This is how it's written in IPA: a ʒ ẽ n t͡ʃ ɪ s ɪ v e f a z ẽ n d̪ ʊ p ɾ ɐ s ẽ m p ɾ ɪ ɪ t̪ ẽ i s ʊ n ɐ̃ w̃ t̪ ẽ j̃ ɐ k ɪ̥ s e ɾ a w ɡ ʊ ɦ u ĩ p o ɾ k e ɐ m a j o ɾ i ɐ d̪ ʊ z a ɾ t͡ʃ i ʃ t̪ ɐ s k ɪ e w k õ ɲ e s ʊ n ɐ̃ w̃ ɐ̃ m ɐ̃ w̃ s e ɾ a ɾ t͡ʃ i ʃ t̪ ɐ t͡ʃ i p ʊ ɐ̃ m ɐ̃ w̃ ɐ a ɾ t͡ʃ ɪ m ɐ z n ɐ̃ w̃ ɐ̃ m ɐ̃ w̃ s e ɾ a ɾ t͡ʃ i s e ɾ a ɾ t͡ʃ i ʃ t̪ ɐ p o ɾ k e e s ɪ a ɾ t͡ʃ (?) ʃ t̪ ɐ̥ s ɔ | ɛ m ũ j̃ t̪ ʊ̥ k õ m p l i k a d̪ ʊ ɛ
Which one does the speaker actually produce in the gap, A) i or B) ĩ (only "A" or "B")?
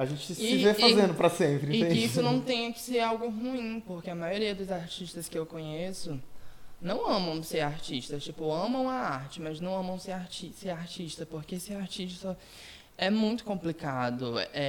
A